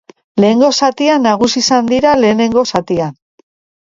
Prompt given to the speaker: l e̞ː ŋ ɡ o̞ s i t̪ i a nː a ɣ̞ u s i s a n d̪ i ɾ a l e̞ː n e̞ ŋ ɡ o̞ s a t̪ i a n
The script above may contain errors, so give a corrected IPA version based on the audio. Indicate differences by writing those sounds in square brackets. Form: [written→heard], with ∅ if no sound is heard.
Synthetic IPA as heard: l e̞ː ŋ ɡ o̞ s [i→a] t̪ i a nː a ɣ̞ u s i s a n d̪ i ɾ a l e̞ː n e̞ ŋ ɡ o̞ s a t̪ i a n